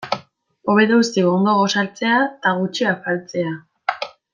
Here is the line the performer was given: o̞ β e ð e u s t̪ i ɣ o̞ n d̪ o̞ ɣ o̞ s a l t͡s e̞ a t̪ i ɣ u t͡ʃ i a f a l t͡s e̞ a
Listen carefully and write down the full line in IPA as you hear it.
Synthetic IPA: o̞ β e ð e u s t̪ i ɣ o̞ n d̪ o̞ ɣ o̞ s a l t͡s e̞ a t̪ a ɣ u t͡ʃ i a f a l t͡s e̞ a